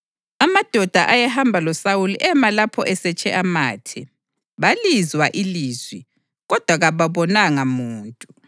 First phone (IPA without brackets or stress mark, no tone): a